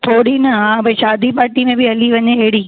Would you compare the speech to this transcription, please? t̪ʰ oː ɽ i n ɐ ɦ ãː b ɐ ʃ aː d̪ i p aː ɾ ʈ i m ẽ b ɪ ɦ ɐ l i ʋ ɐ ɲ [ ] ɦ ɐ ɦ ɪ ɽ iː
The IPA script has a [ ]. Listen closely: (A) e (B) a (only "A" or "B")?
A